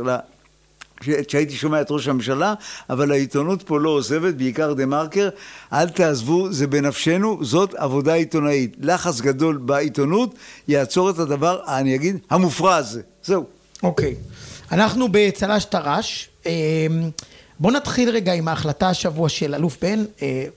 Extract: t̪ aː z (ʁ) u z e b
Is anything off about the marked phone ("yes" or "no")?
yes